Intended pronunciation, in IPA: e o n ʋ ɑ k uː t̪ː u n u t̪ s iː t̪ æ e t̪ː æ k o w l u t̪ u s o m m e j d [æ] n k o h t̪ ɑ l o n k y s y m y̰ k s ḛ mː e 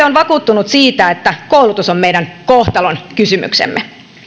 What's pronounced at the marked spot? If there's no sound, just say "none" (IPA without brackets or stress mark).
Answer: æ